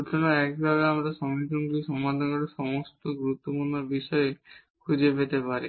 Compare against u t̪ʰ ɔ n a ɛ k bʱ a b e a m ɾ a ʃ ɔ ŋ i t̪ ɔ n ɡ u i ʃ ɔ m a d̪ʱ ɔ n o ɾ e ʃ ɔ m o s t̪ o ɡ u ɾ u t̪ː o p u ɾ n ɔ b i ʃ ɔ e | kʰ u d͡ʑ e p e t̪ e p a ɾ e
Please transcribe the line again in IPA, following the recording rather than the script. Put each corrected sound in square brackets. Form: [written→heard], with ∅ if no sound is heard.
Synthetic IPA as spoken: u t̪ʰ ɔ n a ɛ k bʱ a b e a m ɾ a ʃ ɔ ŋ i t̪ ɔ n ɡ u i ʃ ɔ m a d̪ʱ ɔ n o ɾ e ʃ ɔ m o s t̪ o ɡ u ɾ u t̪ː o p u ɾ n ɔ b i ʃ ɔ e | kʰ u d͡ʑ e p e t̪ e p a ɾ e